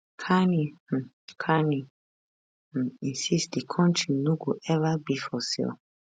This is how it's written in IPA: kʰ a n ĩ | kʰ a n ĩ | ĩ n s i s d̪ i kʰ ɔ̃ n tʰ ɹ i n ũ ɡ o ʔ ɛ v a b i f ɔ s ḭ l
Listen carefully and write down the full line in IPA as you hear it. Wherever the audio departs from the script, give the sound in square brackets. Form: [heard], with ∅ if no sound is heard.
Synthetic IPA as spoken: kʰ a n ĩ | kʰ a n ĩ | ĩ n s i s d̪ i kʰ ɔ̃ n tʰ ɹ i n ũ ɡ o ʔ ɛ v a b i f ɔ s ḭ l